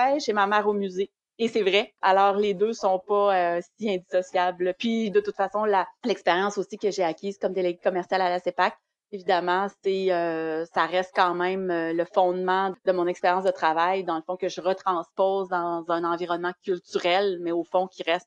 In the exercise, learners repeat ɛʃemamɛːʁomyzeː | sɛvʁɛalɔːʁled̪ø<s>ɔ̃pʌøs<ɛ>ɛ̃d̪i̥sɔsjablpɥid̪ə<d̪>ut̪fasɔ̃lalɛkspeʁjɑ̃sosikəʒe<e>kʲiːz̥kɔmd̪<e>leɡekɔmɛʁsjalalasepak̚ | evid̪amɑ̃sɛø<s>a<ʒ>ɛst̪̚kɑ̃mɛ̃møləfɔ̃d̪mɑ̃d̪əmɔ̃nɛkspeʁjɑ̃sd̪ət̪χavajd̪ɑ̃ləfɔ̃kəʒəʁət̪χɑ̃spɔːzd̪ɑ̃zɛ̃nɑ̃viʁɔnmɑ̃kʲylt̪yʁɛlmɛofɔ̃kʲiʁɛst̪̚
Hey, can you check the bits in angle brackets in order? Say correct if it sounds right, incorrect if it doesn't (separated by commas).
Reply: correct, incorrect, incorrect, incorrect, correct, correct, incorrect